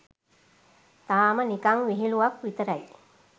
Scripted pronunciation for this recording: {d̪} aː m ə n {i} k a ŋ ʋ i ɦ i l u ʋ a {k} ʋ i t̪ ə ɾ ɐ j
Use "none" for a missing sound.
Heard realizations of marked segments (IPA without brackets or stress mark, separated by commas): t̪, i, k